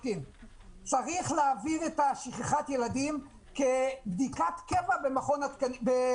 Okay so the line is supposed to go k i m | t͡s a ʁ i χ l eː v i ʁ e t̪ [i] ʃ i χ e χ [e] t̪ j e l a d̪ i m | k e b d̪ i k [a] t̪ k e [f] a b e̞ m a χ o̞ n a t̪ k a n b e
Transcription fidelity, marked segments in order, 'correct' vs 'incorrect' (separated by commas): incorrect, incorrect, correct, incorrect